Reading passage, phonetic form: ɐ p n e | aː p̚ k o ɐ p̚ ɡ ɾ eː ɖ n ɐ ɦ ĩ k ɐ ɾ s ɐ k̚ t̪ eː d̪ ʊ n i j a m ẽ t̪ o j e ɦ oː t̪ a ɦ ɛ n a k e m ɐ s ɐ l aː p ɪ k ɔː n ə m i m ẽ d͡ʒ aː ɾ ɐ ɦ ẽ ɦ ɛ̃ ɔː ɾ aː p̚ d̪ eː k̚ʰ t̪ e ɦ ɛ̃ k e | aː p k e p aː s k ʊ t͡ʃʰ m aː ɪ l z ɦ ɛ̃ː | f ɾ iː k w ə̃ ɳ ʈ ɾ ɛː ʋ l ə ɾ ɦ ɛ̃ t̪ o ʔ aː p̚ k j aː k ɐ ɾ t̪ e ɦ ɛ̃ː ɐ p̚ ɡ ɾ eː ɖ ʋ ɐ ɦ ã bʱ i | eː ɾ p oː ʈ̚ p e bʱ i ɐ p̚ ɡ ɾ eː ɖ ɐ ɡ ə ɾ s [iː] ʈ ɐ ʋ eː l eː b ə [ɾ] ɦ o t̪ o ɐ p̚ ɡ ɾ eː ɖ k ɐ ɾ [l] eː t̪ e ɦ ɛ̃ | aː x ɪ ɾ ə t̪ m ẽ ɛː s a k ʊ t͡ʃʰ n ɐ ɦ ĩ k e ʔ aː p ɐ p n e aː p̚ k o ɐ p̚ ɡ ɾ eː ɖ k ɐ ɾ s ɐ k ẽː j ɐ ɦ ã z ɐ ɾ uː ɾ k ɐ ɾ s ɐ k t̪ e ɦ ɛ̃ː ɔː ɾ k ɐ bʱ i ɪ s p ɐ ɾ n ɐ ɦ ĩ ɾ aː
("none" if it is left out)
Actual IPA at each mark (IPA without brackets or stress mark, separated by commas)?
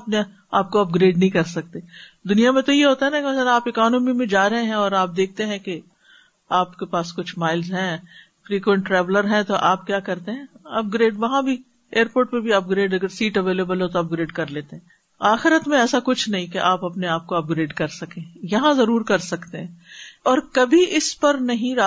iː, l, l